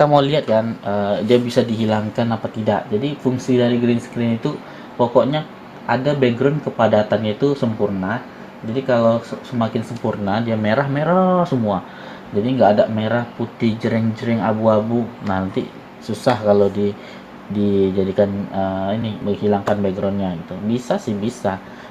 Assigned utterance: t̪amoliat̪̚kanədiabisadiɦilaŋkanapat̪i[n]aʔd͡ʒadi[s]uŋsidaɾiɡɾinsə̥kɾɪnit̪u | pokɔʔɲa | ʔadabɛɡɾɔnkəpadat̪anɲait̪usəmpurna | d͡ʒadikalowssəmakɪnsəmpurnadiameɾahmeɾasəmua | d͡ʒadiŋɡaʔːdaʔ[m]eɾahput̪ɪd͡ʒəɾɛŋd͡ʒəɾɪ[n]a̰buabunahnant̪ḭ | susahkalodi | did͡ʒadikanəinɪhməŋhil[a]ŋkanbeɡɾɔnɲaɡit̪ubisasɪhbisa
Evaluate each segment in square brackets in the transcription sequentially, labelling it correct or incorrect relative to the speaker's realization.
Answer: incorrect: d, incorrect: f, correct, incorrect: ŋ, correct

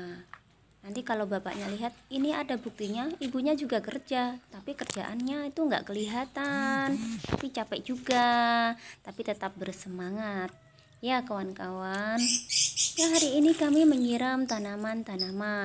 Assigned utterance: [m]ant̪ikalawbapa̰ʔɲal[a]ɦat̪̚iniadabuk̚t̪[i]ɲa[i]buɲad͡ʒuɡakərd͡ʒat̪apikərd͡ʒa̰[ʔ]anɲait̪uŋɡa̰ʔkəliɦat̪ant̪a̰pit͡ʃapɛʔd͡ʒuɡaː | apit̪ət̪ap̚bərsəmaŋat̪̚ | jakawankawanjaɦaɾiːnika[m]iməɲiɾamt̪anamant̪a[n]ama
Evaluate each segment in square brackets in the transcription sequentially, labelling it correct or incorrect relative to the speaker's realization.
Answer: incorrect: n, incorrect: i, correct, correct, correct, correct, correct

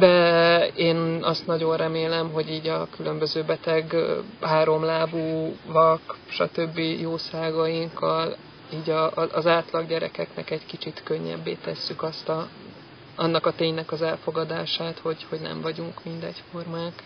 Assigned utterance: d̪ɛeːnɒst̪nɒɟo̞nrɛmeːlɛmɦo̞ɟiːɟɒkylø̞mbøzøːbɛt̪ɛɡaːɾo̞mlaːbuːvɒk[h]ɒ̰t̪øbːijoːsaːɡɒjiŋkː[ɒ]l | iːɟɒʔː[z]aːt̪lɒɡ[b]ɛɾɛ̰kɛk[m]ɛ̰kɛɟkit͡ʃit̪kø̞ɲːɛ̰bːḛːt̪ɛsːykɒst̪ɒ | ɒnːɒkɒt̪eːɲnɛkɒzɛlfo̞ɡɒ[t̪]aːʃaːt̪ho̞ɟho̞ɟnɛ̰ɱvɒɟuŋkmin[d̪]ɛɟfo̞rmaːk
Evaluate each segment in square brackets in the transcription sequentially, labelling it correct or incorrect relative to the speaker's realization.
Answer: incorrect: ʃ, correct, correct, incorrect: ɟ, incorrect: n, incorrect: d̪, correct

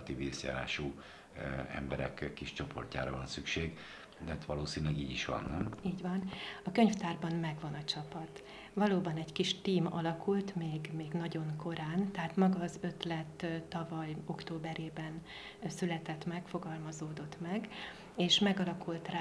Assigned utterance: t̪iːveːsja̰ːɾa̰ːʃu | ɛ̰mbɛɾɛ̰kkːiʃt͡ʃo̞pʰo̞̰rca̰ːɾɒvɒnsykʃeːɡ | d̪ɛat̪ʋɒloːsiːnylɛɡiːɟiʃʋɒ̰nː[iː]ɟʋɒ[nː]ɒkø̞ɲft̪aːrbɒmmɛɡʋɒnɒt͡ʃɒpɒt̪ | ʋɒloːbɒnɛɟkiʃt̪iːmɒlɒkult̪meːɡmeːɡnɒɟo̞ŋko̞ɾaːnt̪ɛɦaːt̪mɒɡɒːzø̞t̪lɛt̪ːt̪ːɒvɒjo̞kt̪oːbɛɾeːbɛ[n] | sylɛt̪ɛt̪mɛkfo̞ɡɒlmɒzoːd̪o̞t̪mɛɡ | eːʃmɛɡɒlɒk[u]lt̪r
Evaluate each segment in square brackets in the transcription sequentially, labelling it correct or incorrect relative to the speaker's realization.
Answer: correct, incorrect: n, correct, correct

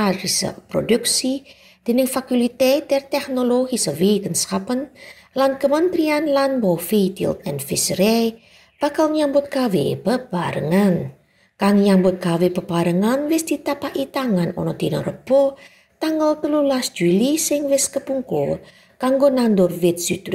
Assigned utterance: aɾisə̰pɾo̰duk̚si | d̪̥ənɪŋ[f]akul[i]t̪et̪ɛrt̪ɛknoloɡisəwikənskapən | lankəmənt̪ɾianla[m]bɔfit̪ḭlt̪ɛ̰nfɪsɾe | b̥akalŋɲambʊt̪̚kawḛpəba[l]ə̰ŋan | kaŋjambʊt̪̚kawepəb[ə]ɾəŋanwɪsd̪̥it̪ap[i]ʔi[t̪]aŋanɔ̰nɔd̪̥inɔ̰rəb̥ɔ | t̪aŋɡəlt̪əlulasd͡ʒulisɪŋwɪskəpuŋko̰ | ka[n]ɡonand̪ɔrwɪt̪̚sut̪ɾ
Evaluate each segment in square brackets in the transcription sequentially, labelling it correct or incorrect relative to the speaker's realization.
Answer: correct, correct, incorrect: n, incorrect: ɾ, incorrect: a, incorrect: a, correct, incorrect: ŋ

